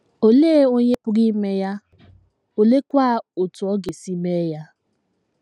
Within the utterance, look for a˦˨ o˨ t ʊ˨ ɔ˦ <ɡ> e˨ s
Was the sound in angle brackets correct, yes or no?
yes